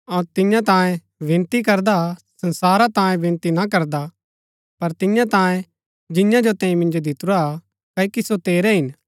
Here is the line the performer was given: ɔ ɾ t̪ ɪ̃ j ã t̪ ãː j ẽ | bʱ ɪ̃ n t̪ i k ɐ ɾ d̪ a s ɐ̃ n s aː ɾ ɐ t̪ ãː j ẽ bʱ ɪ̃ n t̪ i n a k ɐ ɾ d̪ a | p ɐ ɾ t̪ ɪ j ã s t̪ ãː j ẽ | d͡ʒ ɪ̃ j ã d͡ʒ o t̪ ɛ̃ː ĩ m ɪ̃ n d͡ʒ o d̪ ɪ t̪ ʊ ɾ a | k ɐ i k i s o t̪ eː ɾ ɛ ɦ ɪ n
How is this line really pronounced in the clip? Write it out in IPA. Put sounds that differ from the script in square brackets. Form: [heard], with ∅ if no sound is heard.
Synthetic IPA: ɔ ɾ t̪ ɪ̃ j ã t̪ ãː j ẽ | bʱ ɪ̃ n t̪ i k ɐ ɾ d̪ a s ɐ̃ n s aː ɾ [a] t̪ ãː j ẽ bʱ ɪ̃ n t̪ i n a k ɐ ɾ d̪ a | p ɐ ɾ t̪ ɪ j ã [∅] t̪ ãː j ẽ | d͡ʒ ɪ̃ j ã d͡ʒ o t̪ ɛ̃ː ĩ m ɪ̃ n d͡ʒ o d̪ ɪ t̪ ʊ ɾ a | k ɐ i k i s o t̪ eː ɾ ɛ ɦ ɪ n